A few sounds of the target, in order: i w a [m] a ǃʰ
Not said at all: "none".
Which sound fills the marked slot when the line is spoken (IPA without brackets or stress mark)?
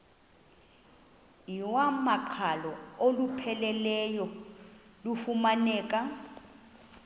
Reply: m